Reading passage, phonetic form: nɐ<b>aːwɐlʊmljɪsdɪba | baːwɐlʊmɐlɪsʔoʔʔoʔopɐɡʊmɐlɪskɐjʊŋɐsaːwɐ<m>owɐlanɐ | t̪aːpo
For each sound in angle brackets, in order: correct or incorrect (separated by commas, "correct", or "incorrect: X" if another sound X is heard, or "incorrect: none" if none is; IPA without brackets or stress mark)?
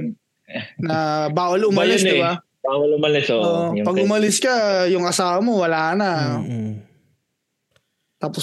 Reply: correct, correct